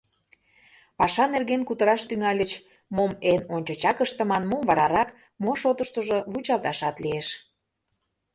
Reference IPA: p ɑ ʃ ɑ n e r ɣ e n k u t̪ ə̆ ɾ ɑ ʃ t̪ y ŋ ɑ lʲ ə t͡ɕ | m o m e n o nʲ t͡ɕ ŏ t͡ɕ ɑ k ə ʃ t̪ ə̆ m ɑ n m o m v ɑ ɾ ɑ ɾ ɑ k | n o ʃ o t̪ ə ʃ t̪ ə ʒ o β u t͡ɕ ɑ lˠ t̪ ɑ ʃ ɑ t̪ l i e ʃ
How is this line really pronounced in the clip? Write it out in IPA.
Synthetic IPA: p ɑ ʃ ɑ n e r ɣ e n k u t̪ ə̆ ɾ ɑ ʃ t̪ y ŋ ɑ lʲ ə t͡ɕ | m o m e n o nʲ t͡ɕ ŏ t͡ɕ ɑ k ə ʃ t̪ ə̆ m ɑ n m o m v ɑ ɾ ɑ ɾ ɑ k | m o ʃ o t̪ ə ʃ t̪ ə ʒ o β u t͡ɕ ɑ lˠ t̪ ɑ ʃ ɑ t̪ l i e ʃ